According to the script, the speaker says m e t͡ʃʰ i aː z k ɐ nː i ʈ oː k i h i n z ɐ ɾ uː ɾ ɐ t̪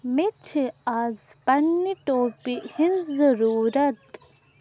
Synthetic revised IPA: m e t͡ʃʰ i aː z p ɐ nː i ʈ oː p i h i n z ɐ ɾ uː ɾ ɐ t̪